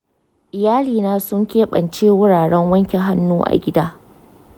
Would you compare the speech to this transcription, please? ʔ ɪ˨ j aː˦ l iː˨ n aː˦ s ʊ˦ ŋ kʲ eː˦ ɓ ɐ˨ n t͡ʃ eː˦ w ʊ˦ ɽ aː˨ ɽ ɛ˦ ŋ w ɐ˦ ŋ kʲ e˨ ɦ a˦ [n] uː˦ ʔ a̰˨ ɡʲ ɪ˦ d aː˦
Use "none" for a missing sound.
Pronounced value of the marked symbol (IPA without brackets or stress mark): nː